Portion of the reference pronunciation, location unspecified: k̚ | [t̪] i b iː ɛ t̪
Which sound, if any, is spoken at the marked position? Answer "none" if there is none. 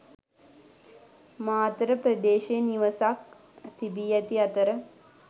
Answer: t̪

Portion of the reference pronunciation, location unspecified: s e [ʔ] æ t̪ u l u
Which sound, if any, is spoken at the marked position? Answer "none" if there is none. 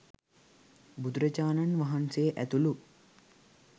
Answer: ʔ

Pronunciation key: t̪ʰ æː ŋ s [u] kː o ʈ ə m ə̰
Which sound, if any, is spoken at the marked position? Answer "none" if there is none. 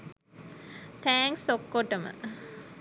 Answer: o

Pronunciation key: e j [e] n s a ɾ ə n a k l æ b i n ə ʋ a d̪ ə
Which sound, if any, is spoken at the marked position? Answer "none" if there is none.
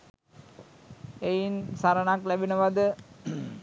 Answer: i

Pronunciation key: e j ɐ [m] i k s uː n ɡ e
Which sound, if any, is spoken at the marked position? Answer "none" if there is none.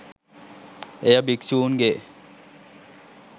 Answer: b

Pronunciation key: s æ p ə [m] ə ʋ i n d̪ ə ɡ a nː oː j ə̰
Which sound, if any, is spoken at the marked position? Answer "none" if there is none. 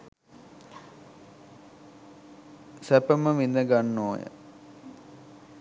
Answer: m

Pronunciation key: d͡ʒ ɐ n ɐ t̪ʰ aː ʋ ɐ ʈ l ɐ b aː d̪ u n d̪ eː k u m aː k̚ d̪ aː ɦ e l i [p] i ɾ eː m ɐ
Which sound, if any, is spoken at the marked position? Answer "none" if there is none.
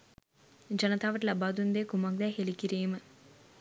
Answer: k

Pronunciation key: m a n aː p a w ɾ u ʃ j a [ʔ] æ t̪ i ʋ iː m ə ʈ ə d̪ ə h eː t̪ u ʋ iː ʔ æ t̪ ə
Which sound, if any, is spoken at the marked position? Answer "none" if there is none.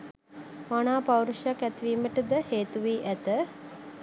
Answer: k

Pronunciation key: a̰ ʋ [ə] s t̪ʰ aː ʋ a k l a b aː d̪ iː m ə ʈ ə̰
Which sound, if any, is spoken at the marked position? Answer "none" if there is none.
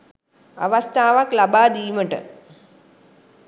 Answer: a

